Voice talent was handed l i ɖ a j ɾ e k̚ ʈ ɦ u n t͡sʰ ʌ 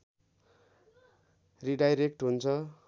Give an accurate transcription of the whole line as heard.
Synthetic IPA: r i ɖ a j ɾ e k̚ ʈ ɦ u n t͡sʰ ʌ